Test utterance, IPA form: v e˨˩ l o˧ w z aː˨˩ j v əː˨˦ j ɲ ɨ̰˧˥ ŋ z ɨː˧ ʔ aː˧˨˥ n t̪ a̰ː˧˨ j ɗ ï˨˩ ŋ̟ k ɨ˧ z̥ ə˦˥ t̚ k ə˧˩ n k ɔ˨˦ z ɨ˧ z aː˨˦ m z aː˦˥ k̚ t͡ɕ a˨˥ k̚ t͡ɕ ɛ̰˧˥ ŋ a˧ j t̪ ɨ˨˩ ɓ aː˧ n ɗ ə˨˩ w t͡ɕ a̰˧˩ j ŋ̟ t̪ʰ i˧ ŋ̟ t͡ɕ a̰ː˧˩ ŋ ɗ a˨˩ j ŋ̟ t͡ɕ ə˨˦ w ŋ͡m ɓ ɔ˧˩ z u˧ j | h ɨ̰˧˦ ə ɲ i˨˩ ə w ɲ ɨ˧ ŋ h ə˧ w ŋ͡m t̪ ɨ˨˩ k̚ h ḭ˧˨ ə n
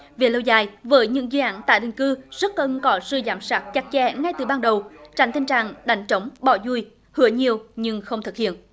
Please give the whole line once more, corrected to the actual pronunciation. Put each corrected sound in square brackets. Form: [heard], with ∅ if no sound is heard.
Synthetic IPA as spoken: v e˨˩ l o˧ w z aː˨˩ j v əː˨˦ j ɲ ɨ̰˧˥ ŋ z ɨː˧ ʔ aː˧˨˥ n t̪ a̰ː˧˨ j ɗ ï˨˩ ŋ̟ k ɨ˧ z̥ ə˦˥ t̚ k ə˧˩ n k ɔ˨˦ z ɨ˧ z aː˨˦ m [s] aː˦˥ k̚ t͡ɕ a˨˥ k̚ t͡ɕ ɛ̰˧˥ ŋ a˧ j t̪ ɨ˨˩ ɓ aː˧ n ɗ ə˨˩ w t͡ɕ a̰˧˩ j ŋ̟ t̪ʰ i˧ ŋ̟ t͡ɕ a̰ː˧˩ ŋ ɗ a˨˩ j ŋ̟ t͡ɕ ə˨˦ w ŋ͡m ɓ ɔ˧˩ z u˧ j | h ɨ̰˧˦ ə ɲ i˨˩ ə w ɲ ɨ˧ ŋ [x] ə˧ w ŋ͡m t̪ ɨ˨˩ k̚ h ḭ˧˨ ə n